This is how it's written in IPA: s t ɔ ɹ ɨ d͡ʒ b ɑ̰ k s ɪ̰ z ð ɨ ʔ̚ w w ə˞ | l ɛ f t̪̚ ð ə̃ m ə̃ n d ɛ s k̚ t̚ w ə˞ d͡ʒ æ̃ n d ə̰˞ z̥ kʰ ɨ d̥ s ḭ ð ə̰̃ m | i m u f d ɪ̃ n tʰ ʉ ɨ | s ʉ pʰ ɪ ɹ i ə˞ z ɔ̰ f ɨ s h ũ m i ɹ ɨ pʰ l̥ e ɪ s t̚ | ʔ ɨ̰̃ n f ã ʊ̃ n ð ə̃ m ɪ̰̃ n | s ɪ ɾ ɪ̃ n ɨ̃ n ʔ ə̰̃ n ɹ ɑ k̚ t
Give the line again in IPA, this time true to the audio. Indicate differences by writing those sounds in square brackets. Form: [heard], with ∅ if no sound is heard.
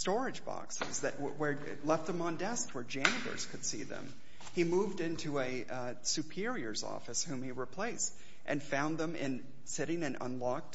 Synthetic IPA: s t ɔ ɹ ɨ d͡ʒ b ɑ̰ k s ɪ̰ z ð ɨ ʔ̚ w w ə˞ | l ɛ f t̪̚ ð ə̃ m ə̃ n d ɛ s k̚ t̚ w ə˞ d͡ʒ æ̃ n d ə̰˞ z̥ kʰ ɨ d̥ s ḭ ð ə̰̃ m | i m u [v] d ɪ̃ n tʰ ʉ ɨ | s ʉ pʰ ɪ ɹ i ə˞ z ɔ̰ f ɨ s h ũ m i ɹ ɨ pʰ l̥ e ɪ s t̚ | ʔ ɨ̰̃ n f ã ʊ̃ n ð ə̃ m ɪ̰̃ n | s ɪ ɾ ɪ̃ [ŋ] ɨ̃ n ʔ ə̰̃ n [l] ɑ k̚ t